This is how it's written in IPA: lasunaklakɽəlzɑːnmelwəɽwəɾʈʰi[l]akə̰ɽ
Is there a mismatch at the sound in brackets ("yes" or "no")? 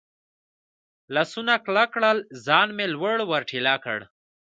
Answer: no